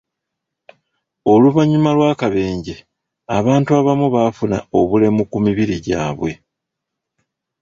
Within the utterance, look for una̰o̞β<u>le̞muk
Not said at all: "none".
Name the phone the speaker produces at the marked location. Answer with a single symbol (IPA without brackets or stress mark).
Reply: u